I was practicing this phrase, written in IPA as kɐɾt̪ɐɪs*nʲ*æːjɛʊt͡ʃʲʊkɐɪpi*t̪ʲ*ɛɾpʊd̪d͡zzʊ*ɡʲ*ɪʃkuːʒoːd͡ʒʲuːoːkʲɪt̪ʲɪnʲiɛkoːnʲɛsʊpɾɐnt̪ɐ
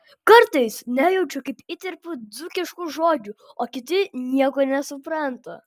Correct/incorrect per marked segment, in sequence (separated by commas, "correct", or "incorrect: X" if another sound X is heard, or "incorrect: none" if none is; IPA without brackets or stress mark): correct, correct, incorrect: kʲ